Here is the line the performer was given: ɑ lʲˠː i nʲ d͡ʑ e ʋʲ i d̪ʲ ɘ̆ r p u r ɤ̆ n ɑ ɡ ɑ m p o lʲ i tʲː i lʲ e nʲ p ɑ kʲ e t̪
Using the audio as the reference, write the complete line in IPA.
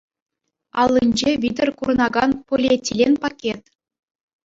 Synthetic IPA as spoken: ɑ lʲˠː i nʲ d͡ʑ e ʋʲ i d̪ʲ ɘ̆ r k u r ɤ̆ n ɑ ɡ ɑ n p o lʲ e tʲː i lʲ e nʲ p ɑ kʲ e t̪